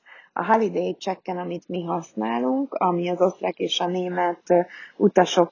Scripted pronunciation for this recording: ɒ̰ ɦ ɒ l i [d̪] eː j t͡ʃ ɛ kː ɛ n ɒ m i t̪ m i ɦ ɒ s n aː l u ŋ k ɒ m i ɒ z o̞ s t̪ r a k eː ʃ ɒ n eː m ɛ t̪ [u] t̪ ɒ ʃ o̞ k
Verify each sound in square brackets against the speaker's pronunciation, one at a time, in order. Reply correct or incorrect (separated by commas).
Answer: correct, correct